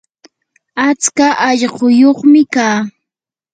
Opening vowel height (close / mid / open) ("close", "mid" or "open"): open